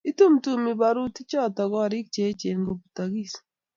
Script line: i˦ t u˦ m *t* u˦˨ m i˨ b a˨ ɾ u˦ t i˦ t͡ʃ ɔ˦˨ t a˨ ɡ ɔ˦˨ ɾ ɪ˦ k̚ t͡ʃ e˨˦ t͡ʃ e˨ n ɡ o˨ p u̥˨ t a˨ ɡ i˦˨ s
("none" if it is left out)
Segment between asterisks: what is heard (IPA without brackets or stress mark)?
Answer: t